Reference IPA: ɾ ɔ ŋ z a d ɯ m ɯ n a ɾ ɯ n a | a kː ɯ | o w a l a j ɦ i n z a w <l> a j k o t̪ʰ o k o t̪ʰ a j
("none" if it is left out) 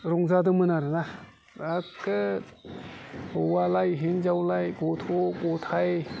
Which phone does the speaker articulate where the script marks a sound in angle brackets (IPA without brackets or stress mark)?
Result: l